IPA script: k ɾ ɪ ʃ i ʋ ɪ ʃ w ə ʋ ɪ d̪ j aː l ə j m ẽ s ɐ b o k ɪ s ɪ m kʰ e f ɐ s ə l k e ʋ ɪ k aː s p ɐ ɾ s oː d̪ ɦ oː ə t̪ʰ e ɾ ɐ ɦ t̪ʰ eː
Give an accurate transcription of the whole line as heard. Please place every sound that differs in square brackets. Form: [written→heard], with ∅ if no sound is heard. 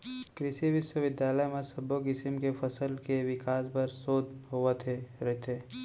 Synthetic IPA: k ɾ ɪ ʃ i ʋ ɪ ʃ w ə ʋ ɪ d̪ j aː l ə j m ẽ s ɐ b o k ɪ s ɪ m [kʰ→k] e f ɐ s ə l k e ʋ ɪ k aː s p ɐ ɾ s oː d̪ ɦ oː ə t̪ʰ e ɾ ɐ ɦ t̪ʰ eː

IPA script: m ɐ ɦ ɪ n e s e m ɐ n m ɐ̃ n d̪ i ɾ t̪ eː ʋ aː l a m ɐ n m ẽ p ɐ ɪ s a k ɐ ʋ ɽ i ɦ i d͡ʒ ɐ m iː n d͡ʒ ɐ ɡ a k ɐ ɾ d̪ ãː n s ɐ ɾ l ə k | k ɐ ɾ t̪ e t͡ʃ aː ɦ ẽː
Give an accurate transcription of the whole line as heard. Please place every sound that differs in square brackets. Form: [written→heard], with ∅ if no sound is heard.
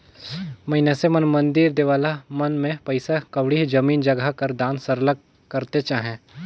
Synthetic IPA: m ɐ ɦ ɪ n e s e m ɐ n m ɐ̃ n d̪ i ɾ [t̪→d̪] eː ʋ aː l a m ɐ n m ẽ p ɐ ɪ s a k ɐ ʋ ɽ i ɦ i d͡ʒ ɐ m iː n d͡ʒ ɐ ɡ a k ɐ ɾ d̪ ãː n s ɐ ɾ l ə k | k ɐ ɾ t̪ e t͡ʃ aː ɦ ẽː

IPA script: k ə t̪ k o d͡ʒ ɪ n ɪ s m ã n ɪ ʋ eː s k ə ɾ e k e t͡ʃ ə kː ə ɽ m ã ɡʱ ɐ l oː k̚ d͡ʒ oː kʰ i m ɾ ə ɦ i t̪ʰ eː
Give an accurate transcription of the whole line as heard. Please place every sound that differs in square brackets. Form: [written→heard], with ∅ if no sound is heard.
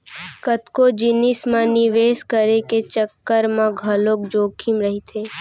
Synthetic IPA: k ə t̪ k o d͡ʒ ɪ n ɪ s m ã n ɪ ʋ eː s k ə ɾ e k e t͡ʃ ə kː ə [ɽ→ɾ] m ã ɡʱ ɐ l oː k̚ d͡ʒ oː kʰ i m ɾ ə ɦ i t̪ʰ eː

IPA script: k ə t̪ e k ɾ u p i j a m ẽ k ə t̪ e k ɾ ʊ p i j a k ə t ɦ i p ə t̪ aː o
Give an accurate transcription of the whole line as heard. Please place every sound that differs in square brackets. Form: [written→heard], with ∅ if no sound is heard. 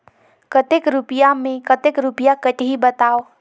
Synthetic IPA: k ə t̪ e k ɾ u p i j a m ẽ k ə t̪ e k ɾ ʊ p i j a k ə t ɦ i [p→b] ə t̪ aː o

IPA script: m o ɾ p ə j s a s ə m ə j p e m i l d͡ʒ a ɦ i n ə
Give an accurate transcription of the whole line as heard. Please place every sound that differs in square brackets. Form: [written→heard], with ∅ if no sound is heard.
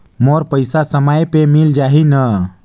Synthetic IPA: m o ɾ p ə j s a s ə m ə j p e m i l d͡ʒ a ɦ i n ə

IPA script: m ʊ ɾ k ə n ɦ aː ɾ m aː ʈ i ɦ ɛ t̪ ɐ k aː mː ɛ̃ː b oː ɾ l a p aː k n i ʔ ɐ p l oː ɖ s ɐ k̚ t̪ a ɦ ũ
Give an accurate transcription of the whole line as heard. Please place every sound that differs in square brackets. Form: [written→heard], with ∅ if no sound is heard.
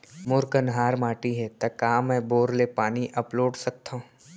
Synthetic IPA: m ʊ ɾ k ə n ɦ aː ɾ m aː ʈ i ɦ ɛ t̪ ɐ k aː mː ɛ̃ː b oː ɾ l [a→e] p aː [k→∅] n i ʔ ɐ p l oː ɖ s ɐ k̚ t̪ a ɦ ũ

